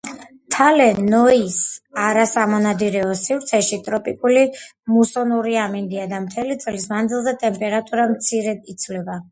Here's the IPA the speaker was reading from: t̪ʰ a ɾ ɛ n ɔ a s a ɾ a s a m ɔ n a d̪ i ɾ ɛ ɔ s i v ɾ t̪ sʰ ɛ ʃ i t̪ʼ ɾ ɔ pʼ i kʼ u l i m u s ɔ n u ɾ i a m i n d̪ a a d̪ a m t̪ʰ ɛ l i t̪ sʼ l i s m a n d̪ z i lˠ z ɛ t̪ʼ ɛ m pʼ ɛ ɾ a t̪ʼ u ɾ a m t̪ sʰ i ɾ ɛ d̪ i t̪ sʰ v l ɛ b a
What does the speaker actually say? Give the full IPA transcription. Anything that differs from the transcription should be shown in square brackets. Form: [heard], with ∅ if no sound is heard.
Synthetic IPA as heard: t̪ʰ a [l] ɛ n ɔ [i] s a ɾ a s a m ɔ n a d̪ i ɾ ɛ ɔ s i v ɾ t̪ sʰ ɛ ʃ i t̪ʼ ɾ ɔ pʼ i kʼ u l i m u s ɔ n u ɾ i a m i n d̪ [i] a d̪ a m t̪ʰ ɛ l i t̪ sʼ l i s m a n d̪ z i lˠ z ɛ t̪ʼ ɛ m pʼ ɛ ɾ a t̪ʼ u ɾ a m t̪ sʰ i ɾ ɛ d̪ i t̪ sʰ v l ɛ b a